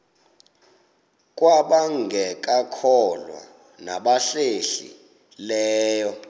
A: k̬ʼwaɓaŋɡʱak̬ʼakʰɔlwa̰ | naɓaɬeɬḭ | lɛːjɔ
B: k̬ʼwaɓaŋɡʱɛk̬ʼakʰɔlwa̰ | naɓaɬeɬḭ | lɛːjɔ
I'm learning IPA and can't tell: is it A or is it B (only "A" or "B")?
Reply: B